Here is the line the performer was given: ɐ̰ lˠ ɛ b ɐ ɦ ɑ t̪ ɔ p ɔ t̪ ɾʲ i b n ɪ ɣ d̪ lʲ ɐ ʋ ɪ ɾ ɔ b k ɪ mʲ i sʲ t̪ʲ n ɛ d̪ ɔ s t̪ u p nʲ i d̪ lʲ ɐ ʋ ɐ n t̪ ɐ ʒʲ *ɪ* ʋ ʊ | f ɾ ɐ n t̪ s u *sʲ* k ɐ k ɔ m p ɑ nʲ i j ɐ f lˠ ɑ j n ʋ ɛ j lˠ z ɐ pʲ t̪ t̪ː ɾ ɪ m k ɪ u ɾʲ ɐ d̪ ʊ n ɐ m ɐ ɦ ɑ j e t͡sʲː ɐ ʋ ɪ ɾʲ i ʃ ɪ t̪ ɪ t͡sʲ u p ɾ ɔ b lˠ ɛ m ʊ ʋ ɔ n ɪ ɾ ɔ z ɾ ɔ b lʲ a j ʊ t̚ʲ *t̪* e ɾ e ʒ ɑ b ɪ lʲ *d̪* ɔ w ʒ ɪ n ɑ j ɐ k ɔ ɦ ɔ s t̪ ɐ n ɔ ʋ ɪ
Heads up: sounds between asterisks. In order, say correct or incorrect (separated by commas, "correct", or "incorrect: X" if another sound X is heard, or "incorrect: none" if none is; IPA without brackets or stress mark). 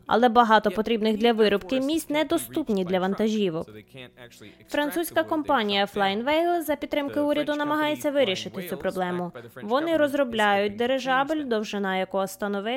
incorrect: i, correct, incorrect: d̪, correct